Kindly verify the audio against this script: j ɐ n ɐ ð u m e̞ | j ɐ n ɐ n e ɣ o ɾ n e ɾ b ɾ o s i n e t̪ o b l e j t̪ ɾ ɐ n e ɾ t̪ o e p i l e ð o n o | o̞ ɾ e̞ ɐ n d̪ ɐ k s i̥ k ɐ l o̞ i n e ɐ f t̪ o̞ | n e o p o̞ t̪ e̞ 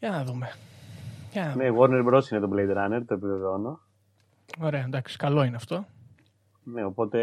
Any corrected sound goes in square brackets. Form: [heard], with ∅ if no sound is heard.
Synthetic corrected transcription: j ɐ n ɐ ð u m e̞ | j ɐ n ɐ n e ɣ o ɾ n e ɾ b ɾ o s i n e t̪ o b l e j [d̪] ɾ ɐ n e ɾ t̪ o e p i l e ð o n o | o̞ ɾ e̞ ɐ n d̪ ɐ k s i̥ k ɐ l o̞ i n e ɐ f t̪ o̞ | n e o p o̞ t̪ e̞